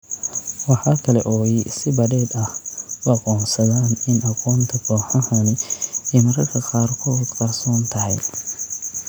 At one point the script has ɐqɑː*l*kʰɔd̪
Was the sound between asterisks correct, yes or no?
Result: no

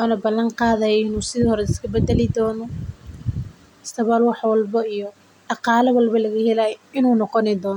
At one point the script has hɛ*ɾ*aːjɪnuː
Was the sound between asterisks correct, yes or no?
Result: no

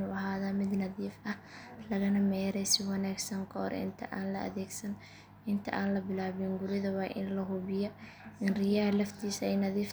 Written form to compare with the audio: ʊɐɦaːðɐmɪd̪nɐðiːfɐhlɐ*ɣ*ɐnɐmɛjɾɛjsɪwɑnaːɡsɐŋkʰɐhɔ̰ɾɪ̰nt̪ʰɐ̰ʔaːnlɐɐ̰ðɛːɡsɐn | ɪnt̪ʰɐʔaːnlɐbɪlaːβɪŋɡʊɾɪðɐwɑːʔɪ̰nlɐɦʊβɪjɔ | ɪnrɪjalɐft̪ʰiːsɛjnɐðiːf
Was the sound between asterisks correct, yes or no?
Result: yes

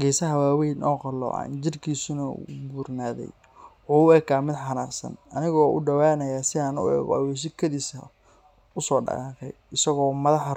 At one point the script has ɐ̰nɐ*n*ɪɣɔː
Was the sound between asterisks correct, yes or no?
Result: yes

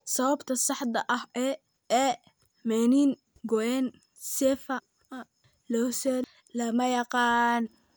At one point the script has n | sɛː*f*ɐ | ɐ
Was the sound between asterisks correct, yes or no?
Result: yes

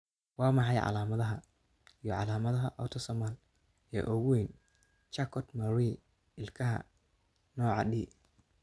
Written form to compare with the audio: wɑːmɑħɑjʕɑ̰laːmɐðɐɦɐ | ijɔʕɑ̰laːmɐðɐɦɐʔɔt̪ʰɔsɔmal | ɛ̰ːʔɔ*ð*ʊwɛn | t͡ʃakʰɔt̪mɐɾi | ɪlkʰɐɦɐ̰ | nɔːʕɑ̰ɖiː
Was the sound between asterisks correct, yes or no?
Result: no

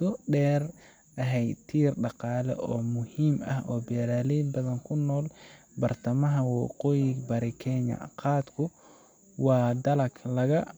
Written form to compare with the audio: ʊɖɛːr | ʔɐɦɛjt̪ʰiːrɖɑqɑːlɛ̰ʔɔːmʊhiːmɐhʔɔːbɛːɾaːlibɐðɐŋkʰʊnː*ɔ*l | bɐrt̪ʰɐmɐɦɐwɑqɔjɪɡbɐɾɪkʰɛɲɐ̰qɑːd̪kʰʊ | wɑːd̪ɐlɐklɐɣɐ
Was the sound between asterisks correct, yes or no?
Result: no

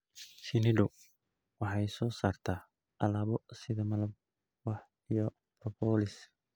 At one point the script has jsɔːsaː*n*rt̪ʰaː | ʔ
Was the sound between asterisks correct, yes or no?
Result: no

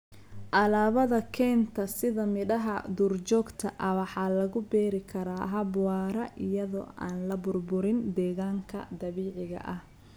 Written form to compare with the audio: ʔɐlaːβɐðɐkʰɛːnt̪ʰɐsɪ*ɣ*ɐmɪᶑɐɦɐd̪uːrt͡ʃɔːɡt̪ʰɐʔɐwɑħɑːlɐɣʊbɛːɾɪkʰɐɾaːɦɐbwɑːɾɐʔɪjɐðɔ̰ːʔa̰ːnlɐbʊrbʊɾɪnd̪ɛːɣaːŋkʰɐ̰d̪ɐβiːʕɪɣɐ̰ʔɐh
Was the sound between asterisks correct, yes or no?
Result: no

